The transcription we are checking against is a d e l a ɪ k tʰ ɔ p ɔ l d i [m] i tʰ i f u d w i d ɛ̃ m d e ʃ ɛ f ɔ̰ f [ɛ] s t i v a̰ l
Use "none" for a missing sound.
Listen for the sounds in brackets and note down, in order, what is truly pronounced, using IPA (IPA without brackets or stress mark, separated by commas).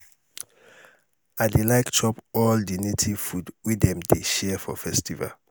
n, ɛ